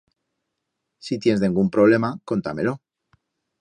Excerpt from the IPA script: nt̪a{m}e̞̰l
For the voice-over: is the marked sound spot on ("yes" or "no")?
yes